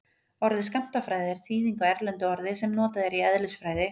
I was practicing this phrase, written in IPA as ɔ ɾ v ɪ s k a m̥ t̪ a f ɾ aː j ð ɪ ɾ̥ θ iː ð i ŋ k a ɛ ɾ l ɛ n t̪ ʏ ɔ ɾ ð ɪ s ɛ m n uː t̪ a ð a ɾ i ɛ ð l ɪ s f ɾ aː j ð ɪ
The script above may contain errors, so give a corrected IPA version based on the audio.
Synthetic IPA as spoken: ɔ ɾ ð ɪ s k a m̥ t̪ a f ɾ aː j ð ɪ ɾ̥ θ iː ð i ŋ k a ɛ ɾ l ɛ n t̪ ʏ ɔ ɾ ð ɪ s ɛ m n ɔː t̪ a ð ɛ ɾ i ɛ ð l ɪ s f ɾ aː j ð ɪ